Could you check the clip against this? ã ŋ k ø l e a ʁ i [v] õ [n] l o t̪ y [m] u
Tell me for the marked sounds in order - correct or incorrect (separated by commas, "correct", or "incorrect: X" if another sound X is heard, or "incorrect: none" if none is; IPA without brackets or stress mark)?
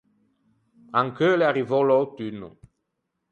correct, incorrect: none, incorrect: n